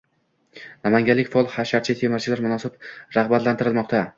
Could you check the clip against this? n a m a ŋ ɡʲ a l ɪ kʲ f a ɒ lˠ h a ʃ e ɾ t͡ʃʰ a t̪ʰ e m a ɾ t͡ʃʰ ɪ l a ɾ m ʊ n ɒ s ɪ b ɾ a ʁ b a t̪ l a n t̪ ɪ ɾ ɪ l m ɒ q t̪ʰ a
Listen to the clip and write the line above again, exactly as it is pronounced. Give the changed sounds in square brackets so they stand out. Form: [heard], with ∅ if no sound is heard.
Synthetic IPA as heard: n a m a ŋ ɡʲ a l ɪ kʲ f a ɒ lˠ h a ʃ [a] ɾ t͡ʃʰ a t̪ʰ e m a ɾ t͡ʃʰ ɪ l a ɾ m ʊ n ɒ s ɪ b ɾ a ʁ b a t̪ l a n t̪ ɪ ɾ ɪ l m ɒ q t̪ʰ a